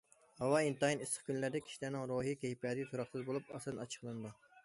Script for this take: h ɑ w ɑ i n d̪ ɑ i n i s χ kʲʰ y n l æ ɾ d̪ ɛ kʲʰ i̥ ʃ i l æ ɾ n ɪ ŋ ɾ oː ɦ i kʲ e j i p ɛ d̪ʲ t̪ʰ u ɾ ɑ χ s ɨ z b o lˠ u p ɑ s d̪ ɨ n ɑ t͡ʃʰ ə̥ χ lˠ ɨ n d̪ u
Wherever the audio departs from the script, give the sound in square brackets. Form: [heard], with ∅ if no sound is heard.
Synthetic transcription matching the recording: h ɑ w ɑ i n [t̪] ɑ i n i s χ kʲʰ y n l æ ɾ d̪ ɛ kʲʰ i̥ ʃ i l æ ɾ n ɪ ŋ ɾ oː ɦ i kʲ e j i p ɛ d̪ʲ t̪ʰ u ɾ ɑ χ s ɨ z b o lˠ u p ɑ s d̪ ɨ n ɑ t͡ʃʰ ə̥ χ lˠ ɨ n d̪ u